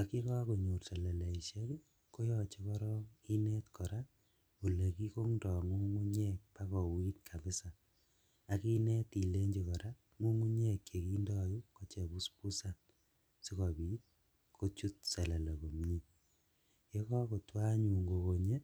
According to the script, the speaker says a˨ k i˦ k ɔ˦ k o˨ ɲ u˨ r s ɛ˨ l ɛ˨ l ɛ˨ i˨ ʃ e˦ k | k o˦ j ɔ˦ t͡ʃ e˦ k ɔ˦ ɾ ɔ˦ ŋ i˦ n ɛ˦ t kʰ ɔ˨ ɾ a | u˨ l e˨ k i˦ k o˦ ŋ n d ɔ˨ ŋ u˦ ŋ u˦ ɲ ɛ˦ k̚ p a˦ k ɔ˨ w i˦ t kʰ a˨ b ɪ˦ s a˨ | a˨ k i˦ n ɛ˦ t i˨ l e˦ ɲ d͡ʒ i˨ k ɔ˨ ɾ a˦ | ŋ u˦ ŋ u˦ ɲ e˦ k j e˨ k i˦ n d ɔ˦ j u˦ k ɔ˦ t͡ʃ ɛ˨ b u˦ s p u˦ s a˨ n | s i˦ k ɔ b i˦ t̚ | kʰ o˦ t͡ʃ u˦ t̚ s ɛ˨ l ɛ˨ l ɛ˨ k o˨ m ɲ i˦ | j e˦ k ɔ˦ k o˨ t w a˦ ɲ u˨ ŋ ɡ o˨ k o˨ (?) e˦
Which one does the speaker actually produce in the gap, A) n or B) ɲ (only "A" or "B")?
B